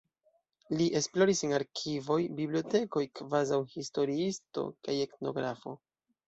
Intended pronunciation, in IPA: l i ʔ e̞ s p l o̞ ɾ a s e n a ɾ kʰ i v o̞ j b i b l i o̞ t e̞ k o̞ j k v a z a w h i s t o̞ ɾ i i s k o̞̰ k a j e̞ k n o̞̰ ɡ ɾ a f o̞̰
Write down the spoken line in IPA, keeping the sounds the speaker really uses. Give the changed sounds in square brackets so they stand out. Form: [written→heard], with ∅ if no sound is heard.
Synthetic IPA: l i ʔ e̞ s p l o̞ ɾ [a→i] s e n a ɾ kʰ i v o̞ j b i b l i o̞ t e̞ k o̞ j k v a z a w h i s t o̞ ɾ i i s [k→t] o̞̰ k a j e̞ k n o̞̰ ɡ ɾ a f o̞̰